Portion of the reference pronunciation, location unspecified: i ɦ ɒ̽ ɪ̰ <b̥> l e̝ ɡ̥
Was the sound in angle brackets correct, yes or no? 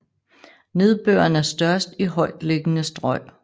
no